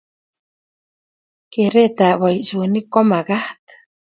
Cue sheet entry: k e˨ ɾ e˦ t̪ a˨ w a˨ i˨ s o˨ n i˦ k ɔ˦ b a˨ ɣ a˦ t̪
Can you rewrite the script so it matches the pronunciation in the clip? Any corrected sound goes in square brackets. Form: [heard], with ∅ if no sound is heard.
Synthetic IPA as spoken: k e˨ ɾ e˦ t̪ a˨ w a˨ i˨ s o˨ n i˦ k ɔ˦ [m] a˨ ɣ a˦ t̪

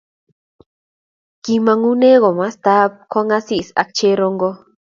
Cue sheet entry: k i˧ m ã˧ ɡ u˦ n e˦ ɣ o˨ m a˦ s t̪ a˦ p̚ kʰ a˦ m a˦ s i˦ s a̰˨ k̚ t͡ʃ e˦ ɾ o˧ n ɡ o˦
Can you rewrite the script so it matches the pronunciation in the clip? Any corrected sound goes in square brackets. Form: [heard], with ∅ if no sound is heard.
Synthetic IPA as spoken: k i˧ m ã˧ [ŋ] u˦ n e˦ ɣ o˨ m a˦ s t̪ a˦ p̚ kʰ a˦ [ŋ] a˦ s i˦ s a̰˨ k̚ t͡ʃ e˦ ɾ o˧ [ŋ] ɡ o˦

